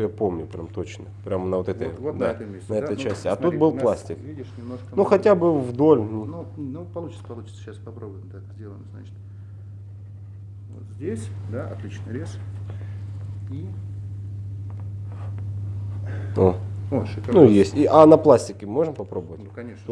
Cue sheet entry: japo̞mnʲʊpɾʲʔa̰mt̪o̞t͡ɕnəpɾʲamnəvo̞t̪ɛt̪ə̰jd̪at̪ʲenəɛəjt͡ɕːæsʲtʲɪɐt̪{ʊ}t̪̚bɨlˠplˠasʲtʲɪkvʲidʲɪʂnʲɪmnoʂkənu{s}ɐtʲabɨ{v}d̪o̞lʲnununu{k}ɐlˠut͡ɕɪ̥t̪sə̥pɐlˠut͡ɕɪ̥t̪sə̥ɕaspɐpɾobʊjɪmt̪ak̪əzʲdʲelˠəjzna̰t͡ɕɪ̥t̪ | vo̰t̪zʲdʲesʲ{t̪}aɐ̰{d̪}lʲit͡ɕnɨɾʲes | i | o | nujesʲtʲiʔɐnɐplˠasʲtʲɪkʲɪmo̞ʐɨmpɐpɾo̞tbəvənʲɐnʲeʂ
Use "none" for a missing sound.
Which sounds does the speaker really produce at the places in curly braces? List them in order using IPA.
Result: u, x, v, p, d̪, t̪

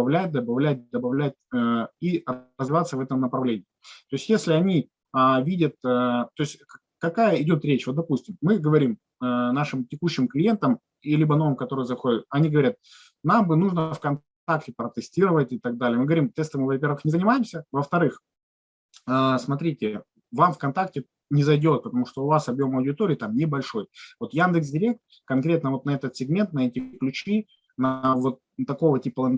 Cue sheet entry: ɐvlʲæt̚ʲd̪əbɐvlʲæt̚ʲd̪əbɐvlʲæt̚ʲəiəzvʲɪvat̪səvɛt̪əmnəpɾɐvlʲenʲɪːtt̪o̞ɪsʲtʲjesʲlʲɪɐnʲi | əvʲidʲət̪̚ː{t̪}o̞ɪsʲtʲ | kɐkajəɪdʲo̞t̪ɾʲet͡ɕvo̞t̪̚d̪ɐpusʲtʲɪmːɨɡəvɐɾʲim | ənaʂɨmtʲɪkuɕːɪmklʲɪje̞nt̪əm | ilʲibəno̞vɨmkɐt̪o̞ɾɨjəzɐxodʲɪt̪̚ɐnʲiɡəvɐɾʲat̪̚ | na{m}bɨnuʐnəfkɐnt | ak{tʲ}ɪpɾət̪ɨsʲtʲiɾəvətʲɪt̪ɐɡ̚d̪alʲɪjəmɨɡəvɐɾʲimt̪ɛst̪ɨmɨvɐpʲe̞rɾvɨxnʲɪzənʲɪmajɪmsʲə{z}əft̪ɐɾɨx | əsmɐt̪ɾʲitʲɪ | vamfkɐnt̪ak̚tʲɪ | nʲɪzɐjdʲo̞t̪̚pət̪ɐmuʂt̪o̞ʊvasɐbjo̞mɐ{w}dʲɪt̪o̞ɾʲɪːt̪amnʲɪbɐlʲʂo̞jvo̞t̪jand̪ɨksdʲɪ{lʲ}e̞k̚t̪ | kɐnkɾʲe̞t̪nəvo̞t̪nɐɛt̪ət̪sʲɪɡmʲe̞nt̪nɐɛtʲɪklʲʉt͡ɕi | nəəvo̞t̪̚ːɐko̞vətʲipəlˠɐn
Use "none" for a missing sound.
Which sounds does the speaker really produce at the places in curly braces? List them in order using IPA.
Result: t̪, m, tʲ, v, w, ɾʲ

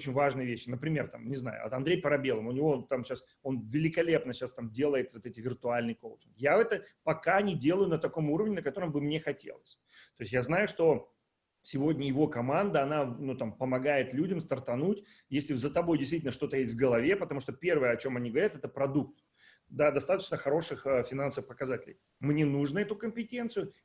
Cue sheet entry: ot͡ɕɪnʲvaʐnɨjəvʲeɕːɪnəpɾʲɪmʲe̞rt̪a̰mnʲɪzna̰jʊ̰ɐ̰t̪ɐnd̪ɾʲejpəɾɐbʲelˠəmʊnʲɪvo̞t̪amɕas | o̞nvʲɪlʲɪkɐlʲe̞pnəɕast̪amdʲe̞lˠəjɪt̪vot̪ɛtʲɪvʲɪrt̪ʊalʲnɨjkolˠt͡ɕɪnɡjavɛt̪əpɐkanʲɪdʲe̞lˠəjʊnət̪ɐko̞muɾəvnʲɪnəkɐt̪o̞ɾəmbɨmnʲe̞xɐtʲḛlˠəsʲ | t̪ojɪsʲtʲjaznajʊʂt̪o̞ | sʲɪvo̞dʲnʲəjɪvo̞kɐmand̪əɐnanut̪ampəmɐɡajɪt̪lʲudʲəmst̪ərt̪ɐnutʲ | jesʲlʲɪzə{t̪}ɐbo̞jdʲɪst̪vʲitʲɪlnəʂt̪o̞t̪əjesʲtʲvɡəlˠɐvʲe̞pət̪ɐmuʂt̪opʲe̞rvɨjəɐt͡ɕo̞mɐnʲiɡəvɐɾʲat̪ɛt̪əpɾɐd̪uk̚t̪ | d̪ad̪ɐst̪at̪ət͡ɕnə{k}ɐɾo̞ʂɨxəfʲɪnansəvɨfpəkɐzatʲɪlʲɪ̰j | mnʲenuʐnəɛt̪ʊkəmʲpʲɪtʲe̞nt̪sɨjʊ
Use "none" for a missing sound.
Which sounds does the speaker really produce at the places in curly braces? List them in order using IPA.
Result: t̪, x

